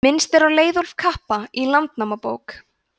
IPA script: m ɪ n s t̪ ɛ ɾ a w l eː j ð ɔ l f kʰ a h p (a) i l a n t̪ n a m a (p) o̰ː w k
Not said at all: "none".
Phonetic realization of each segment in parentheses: a, p

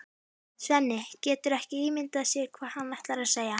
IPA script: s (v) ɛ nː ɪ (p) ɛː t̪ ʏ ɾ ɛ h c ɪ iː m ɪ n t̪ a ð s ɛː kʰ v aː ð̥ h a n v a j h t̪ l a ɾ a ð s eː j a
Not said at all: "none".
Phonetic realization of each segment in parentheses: v, c

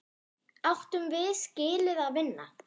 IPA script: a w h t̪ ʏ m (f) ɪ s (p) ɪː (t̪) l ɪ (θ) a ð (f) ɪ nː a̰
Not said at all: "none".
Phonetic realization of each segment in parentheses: v, c, none, ð, v

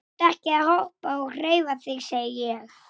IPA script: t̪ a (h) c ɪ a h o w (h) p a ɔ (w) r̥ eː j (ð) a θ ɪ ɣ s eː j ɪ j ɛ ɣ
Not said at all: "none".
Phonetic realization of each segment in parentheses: h, h, ɣ, v

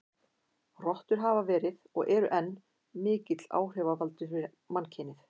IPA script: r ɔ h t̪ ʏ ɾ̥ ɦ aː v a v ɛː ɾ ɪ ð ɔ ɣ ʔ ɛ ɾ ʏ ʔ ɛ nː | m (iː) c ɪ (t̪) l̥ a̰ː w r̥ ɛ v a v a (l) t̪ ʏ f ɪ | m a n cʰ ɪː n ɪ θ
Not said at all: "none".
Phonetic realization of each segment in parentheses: ɪː, t̪, l

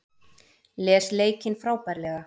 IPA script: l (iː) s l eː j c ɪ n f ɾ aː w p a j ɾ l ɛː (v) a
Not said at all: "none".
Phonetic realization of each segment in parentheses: ɛː, ɣ

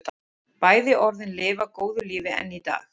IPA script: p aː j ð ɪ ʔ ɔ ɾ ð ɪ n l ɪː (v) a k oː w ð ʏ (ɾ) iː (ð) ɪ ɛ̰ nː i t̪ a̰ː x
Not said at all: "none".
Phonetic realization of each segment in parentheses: v, l, v

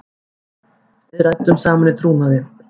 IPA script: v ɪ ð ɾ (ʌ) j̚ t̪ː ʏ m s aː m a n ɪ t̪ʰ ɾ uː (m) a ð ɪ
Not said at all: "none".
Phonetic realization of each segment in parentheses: a, n

